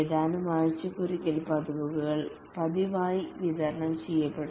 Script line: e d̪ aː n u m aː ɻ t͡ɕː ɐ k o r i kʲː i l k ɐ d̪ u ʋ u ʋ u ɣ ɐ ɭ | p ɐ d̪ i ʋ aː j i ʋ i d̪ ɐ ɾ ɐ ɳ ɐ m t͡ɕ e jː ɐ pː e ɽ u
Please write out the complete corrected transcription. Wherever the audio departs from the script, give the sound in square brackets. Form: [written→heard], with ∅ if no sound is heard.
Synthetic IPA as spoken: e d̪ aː n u m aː ɻ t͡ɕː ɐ k [o→u] r i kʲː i l [k→p] ɐ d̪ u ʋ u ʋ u ɣ ɐ ɭ | p ɐ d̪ i ʋ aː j i ʋ i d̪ ɐ ɾ ɐ ɳ ɐ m t͡ɕ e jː ɐ pː e ɽ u